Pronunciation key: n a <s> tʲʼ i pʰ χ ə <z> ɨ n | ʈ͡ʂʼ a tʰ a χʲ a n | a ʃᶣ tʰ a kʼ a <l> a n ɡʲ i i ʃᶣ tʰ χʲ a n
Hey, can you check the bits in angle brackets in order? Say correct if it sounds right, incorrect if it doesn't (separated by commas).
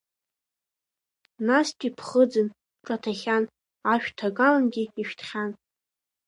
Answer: correct, incorrect, correct